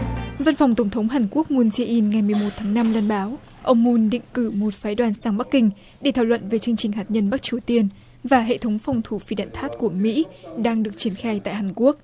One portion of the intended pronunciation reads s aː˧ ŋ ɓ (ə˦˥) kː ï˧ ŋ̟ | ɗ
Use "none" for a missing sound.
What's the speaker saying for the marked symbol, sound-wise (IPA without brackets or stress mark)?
a˦˥